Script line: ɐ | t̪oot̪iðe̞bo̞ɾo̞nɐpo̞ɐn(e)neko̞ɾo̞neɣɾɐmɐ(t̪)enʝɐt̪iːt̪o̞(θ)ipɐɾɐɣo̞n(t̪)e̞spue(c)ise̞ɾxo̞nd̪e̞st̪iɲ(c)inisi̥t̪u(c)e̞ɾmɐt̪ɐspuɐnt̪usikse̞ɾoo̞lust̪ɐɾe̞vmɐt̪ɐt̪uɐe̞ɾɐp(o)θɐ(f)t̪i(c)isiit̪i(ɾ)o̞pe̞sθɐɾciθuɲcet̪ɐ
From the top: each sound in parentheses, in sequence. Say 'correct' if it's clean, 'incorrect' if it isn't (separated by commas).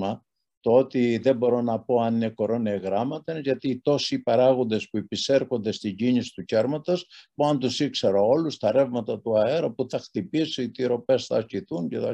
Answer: incorrect, correct, incorrect, incorrect, incorrect, incorrect, correct, incorrect, incorrect, incorrect, correct